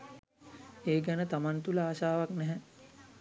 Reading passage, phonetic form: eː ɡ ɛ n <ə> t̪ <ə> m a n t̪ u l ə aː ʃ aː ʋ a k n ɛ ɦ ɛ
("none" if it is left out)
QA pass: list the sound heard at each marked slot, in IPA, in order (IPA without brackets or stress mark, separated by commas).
ə, a